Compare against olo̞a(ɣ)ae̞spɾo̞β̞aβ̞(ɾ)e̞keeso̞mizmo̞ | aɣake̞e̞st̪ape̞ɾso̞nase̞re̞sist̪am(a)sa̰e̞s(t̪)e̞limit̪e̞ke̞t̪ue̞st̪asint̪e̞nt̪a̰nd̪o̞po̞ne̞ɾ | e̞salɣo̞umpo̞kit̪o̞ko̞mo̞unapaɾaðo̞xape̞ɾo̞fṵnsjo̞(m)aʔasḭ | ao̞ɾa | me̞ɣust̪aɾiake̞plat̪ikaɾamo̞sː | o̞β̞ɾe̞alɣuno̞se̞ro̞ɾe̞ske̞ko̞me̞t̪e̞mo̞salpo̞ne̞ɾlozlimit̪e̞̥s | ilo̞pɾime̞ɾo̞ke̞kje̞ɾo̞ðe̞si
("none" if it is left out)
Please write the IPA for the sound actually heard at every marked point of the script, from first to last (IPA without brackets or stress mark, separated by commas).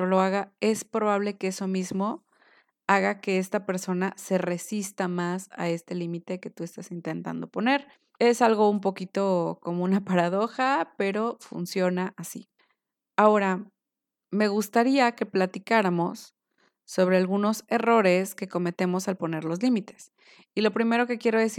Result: ɣ, l, a, t̪, n